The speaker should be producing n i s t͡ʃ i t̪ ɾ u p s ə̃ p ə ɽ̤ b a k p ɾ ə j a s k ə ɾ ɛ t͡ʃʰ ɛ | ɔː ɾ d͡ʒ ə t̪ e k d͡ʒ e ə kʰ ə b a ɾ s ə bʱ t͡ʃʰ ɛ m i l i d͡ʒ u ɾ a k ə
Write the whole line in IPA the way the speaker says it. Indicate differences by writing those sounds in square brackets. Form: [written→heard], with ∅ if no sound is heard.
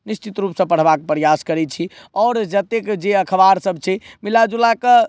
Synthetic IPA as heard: n i s t͡ʃ i t̪ ɾ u p s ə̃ p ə ɽ̤ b a k p ɾ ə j a s k ə ɾ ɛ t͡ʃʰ [ɛ→i] | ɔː ɾ d͡ʒ ə t̪ e k d͡ʒ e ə kʰ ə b a ɾ s ə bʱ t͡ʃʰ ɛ m i l [i→a] d͡ʒ u [ɾ→l] a k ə